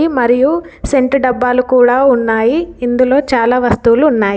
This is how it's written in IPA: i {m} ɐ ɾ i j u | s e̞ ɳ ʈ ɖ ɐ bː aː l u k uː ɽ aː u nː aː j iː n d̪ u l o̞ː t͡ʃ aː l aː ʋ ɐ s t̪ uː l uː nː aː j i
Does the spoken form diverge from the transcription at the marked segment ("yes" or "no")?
no